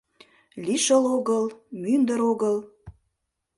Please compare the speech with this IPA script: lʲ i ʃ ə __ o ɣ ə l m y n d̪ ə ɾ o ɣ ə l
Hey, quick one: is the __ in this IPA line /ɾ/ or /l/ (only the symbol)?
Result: l